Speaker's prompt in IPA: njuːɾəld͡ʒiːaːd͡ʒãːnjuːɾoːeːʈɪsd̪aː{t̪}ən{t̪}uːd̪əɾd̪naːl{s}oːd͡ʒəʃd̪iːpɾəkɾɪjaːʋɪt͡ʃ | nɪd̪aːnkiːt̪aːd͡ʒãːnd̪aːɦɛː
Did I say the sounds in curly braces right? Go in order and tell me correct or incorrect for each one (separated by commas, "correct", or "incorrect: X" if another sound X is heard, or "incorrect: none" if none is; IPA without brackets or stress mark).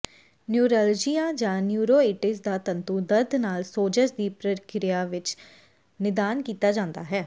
correct, correct, correct